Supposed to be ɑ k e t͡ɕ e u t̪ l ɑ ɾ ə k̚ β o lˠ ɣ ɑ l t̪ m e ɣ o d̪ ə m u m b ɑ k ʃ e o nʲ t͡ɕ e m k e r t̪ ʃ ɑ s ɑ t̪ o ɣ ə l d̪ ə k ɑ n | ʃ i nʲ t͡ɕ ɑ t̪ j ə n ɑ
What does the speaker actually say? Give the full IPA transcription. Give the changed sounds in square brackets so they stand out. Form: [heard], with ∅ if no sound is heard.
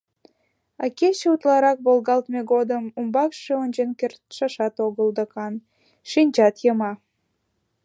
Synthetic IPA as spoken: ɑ k e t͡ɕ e u t̪ l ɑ ɾ [ɑ] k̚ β o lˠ ɣ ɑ l t̪ m e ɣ o d̪ ə m u m b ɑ k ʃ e o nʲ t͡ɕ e [n] k e r t̪ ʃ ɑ [ʃ] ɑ t̪ o ɣ ə l d̪ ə k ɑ n | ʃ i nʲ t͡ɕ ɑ t̪ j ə [m] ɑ